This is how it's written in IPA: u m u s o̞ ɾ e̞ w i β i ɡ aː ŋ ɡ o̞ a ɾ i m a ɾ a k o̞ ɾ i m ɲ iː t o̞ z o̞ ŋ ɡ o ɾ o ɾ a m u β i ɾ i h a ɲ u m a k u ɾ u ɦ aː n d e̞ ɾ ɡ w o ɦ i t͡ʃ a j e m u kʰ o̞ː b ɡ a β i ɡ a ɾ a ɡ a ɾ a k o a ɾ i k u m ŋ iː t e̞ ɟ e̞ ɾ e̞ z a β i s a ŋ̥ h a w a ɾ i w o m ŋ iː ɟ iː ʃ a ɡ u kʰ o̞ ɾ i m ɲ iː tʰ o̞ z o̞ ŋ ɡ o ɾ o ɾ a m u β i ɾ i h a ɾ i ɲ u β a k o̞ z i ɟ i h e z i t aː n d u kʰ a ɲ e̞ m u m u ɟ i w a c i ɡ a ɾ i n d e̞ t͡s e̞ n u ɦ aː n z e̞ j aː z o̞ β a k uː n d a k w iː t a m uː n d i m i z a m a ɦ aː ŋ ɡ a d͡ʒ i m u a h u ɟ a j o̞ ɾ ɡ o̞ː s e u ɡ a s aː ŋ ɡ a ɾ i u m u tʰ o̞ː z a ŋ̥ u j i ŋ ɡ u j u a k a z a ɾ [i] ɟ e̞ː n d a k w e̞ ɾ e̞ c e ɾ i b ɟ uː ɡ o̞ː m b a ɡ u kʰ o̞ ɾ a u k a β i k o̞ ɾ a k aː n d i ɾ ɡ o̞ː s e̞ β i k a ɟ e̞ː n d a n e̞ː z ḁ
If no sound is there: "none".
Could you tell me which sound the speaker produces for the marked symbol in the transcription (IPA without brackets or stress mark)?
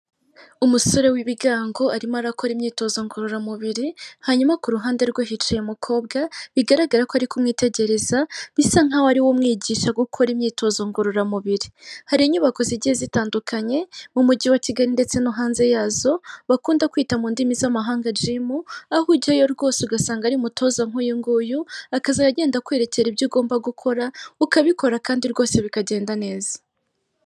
a